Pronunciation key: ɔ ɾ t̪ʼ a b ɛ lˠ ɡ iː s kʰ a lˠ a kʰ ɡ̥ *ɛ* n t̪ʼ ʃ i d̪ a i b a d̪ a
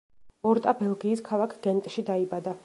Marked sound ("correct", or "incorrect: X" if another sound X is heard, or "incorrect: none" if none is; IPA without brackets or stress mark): correct